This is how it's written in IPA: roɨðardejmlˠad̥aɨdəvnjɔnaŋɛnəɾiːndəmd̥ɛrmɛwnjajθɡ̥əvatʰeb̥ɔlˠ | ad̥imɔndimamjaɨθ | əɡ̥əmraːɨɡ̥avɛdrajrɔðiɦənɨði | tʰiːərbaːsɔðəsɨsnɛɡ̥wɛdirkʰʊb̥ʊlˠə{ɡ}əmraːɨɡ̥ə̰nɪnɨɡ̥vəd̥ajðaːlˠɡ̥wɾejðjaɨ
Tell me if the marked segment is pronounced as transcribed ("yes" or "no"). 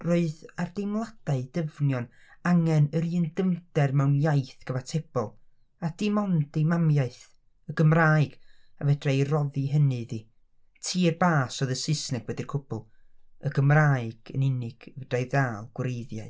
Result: yes